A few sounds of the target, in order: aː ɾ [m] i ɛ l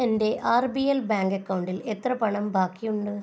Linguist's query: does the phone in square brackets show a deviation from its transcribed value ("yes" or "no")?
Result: yes